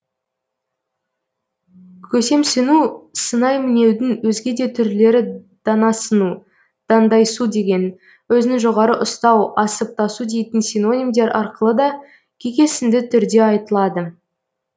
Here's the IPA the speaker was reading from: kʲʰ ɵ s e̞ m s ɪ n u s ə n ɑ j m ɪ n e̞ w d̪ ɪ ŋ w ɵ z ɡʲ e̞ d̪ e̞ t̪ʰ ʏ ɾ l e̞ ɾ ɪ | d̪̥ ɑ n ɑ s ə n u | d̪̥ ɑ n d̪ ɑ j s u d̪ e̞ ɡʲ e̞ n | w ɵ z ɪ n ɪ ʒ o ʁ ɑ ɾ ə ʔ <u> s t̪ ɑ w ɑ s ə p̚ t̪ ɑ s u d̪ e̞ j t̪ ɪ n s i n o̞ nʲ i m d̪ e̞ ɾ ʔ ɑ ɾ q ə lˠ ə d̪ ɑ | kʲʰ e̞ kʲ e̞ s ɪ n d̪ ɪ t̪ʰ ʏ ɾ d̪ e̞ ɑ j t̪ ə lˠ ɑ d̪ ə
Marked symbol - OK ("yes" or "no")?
no